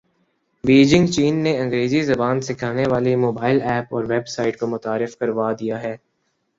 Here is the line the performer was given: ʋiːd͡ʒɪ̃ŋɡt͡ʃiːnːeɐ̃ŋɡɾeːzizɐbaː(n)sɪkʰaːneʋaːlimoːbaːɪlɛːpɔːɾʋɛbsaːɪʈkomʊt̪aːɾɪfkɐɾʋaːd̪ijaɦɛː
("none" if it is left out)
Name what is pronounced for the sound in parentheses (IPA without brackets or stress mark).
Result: n